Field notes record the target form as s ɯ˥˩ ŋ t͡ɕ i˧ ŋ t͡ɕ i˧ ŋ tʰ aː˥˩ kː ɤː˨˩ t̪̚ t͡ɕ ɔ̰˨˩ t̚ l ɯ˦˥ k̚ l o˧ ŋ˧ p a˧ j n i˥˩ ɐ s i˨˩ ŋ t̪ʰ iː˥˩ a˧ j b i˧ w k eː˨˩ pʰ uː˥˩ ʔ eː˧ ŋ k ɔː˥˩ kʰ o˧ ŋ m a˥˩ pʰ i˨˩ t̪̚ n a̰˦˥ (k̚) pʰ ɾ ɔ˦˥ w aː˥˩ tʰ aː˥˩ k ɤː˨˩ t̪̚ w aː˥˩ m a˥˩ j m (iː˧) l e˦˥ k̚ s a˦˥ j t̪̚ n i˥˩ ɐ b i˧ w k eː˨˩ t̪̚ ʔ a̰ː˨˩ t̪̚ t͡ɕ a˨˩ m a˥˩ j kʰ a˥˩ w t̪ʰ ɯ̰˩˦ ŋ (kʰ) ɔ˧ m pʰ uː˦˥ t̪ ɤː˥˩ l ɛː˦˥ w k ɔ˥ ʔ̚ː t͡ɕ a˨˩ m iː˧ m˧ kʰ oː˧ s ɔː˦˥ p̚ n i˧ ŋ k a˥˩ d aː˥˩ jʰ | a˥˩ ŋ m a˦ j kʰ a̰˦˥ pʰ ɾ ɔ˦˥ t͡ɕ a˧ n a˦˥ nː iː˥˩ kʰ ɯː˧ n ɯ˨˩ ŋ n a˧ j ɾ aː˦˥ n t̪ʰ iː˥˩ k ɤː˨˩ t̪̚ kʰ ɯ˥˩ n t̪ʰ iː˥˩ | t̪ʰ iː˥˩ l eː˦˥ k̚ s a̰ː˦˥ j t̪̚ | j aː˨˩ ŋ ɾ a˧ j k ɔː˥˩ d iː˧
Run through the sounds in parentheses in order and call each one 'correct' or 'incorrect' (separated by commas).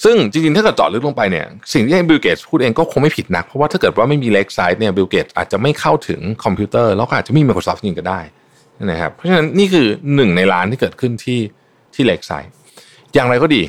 correct, correct, correct